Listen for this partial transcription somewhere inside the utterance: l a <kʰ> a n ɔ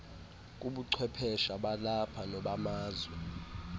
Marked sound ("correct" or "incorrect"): incorrect